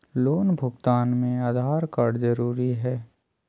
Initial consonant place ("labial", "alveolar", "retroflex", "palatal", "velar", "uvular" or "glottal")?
alveolar